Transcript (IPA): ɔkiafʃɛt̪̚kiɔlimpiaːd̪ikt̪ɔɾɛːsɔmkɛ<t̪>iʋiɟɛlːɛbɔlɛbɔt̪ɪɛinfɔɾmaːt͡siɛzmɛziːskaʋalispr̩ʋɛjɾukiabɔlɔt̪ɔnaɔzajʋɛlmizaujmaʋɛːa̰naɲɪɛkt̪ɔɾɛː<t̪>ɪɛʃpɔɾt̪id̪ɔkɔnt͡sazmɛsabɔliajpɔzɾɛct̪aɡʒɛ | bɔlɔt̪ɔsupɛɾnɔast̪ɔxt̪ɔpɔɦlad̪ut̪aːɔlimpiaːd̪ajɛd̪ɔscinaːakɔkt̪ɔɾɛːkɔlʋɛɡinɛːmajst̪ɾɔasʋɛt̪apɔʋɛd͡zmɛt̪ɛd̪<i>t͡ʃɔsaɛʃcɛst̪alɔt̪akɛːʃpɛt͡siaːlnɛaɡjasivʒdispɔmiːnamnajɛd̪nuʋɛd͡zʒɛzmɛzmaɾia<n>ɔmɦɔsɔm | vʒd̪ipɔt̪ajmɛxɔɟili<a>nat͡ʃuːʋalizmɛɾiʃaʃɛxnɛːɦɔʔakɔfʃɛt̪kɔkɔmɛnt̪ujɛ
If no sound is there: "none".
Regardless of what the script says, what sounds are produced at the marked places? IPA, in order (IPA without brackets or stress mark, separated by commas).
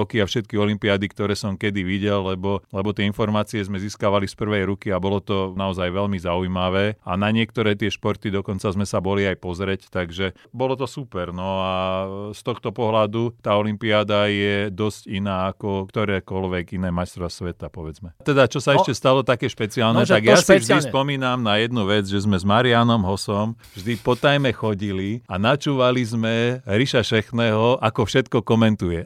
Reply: d̪, t̪, a, n, a